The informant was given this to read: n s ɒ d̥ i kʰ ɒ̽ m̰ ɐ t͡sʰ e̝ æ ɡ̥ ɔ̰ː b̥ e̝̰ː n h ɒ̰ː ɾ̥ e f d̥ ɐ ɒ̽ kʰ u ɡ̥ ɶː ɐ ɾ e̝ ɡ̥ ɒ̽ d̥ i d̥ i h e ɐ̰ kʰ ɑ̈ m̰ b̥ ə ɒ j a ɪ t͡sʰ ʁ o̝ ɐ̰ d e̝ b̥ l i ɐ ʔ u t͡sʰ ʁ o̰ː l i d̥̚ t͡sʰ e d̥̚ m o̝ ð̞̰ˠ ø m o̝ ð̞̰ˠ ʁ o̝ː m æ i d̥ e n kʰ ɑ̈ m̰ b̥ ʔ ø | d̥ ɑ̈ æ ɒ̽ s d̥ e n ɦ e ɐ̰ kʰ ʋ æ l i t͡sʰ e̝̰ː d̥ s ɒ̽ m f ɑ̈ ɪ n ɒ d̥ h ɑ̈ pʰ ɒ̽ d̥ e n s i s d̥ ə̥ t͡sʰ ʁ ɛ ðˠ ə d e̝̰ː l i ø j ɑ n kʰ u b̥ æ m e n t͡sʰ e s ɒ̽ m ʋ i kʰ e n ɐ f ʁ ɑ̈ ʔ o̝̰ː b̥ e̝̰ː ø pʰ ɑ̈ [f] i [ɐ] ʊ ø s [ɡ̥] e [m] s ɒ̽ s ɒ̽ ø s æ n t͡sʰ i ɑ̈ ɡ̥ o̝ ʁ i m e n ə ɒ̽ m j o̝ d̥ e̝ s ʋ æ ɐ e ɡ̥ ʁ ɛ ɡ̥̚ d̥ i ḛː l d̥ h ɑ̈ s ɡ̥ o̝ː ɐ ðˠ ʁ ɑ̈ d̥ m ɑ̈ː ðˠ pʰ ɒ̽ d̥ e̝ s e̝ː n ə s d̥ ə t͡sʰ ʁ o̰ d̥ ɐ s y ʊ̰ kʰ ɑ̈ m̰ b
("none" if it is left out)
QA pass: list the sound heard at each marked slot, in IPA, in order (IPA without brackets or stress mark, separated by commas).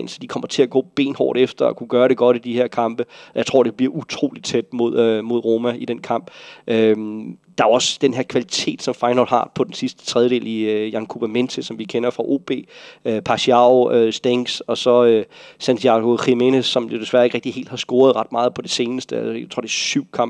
ɕ, ɑ, d̥, ŋ